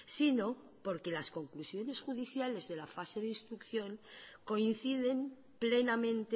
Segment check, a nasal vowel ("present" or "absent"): present